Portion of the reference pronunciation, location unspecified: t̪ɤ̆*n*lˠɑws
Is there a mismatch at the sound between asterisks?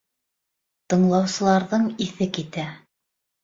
yes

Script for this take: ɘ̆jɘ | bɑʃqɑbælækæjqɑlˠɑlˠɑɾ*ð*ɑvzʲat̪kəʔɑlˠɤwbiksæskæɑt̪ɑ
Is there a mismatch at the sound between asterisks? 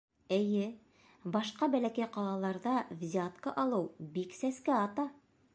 no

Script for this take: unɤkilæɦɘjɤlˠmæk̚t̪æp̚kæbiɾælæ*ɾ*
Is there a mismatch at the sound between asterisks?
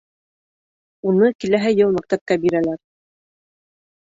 no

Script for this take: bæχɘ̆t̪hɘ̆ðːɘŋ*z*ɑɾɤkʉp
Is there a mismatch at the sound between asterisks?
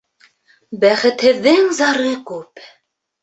no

